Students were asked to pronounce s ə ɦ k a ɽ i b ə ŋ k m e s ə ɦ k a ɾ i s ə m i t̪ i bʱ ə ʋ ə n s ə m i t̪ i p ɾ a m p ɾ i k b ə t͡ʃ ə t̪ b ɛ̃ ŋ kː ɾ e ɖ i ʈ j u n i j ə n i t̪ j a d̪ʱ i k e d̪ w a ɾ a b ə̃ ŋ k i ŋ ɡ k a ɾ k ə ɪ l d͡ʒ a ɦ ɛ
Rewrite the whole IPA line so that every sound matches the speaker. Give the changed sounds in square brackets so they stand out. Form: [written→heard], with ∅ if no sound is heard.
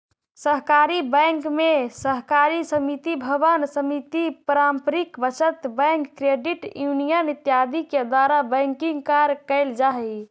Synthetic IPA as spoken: s ə ɦ k a [ɽ→ɾ] i b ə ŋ k m e s ə ɦ k a ɾ i s ə m i t̪ i bʱ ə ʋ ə n s ə m i t̪ i p ɾ a m p ɾ i k b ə t͡ʃ ə t̪ b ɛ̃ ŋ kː ɾ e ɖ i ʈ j u n i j ə n i t̪ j a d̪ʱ i k e d̪ w a ɾ a b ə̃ ŋ k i ŋ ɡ k a ɾ k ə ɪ l d͡ʒ a ɦ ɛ